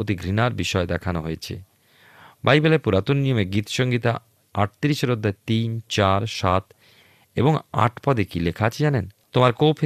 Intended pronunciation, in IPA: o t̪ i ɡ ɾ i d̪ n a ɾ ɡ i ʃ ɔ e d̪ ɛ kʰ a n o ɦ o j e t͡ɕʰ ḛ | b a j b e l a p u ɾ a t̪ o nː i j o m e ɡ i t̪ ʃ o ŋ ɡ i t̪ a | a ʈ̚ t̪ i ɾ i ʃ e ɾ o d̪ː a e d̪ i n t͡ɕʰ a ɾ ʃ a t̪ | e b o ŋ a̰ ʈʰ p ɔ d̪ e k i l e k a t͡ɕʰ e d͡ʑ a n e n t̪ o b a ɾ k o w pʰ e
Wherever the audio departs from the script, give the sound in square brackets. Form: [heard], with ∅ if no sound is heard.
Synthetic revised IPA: o t̪ i ɡ ɾ i [∅] n a ɾ [b] i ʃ ɔ e d̪ ɛ kʰ a n o ɦ o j e t͡ɕʰ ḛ | b a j b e l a p u ɾ a t̪ o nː i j o m e ɡ i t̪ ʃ o ŋ ɡ i t̪ a | a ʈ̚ t̪ i ɾ i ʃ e ɾ o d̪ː a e [t̪] i n [t͡ɕ] a ɾ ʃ a t̪ | e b o ŋ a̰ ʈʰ p ɔ d̪ e k i l e [kʰ] a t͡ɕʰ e d͡ʑ a n e n t̪ o [m] a ɾ k o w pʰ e